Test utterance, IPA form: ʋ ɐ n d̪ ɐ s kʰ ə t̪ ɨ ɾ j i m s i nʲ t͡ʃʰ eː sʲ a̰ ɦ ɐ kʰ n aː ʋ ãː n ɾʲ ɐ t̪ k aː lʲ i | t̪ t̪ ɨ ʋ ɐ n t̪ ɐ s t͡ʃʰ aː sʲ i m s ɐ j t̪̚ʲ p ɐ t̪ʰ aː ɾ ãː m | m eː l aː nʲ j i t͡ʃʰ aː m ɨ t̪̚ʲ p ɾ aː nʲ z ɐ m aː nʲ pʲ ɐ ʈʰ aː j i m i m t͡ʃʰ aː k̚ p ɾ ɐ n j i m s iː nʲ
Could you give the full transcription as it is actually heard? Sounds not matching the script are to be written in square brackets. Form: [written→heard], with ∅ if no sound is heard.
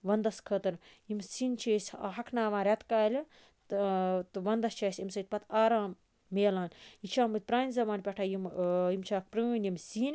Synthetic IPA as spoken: ʋ ɐ n d̪ ɐ s kʰ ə t̪ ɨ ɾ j i m s i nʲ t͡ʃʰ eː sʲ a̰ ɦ ɐ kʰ n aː ʋ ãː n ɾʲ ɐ t̪ k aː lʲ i | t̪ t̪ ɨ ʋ ɐ n [t̪→d̪] ɐ s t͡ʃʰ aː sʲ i m s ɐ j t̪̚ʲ p ɐ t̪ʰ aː ɾ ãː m | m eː l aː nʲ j i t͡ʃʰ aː m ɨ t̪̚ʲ p ɾ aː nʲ z ɐ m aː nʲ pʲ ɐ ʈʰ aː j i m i m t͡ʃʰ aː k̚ p ɾ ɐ n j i m s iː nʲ